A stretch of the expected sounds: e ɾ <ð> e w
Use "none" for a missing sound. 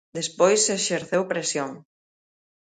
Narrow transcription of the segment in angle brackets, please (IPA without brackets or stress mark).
θ